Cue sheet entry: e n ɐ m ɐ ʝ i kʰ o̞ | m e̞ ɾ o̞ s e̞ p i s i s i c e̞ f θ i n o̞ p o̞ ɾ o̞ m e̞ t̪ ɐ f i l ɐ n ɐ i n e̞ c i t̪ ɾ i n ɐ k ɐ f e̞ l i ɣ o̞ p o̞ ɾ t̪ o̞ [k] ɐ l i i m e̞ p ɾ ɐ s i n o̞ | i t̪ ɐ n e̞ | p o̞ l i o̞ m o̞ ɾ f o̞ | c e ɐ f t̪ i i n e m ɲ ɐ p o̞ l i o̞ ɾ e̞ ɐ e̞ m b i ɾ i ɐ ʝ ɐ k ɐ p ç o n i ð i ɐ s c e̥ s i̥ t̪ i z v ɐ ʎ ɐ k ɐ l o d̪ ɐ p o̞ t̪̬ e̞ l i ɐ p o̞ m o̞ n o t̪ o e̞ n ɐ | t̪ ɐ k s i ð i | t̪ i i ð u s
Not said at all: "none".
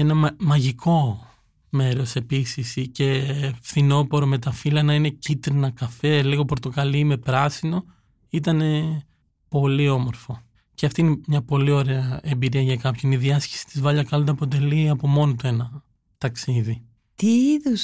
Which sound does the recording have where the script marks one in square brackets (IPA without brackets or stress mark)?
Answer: k